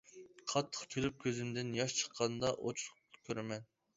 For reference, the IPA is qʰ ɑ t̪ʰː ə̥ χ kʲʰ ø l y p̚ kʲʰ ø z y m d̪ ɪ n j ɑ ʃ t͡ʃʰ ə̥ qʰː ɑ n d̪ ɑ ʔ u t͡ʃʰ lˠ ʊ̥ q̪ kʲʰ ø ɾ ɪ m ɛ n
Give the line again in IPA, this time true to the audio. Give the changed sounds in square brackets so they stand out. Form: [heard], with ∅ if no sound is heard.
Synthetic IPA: qʰ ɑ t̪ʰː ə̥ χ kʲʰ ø l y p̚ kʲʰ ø z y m d̪ ɪ n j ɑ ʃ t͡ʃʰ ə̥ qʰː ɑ n d̪ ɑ ʔ [o] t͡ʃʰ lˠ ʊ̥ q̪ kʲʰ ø ɾ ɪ m ɛ n